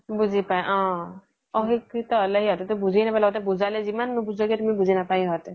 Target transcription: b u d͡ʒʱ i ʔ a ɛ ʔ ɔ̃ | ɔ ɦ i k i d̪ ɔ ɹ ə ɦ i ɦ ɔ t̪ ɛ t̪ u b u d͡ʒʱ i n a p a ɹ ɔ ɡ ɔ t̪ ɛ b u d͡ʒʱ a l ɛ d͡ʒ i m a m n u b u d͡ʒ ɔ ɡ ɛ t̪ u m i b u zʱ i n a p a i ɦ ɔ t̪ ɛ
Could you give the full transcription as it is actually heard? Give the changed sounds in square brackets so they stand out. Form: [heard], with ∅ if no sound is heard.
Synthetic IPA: b u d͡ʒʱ i [p] a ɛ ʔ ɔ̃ | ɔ ɦ i k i [t̪] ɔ [l] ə ɦ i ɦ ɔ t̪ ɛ t̪ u b u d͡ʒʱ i n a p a [l] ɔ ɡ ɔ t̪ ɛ b u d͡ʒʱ a l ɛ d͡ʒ i m a [n] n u b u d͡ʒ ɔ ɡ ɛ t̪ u m i b u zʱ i n a p a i ɦ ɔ t̪ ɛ